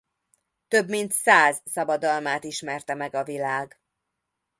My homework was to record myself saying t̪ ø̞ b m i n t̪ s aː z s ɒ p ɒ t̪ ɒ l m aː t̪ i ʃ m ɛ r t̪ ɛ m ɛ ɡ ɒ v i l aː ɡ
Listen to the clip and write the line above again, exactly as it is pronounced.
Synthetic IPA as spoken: t̪ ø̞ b m i n t̪ s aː z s ɒ b ɒ d̪ ɒ l m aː t̪ i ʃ m ɛ r t̪ ɛ m ɛ ɡ ɒ v i l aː ɡ